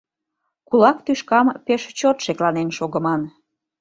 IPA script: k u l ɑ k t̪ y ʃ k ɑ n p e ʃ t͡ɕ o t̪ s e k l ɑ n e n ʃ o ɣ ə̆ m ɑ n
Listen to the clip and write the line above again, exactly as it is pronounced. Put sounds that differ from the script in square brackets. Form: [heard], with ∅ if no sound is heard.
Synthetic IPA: k u l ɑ k t̪ y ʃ k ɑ [m] p e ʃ t͡ɕ o t̪ [ʃ] e k l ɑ n e n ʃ o ɣ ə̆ m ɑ n

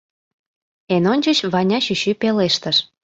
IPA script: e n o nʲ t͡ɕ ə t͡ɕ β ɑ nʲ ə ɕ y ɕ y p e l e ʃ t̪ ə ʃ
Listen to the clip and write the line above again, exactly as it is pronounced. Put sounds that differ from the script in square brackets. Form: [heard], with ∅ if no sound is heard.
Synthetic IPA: e n o nʲ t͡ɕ ə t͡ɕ β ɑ nʲ [ɑ] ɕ y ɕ y p e l e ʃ t̪ ə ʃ

